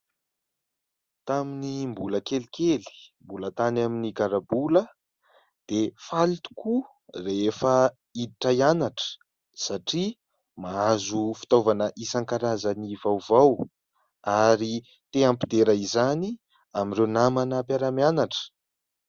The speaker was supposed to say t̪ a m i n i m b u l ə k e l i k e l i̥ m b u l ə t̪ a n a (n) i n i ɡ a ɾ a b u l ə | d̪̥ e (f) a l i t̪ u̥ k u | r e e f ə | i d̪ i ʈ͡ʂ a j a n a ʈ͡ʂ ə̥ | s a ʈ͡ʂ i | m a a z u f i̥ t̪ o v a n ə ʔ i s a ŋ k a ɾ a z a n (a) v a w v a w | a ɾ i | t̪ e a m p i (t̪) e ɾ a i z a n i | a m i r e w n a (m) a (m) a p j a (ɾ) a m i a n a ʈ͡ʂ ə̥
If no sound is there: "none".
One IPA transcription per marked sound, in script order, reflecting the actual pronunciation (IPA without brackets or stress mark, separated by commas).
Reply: m, f, i, d̪, m, n, ɾ